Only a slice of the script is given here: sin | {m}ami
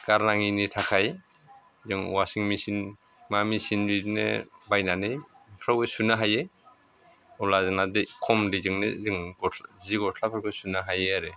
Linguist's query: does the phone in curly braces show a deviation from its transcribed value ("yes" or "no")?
no